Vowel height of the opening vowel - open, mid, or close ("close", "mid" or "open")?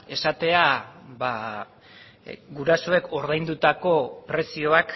mid